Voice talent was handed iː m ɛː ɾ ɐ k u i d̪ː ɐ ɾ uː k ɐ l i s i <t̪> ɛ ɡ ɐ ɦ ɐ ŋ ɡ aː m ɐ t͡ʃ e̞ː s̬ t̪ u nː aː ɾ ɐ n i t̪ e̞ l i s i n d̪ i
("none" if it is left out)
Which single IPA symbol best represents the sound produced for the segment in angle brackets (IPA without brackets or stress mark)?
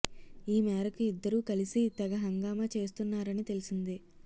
t̪